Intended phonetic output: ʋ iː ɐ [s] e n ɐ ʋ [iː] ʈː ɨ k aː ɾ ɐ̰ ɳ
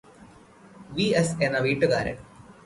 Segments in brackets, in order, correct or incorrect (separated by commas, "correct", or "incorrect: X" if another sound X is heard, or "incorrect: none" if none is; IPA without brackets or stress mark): correct, correct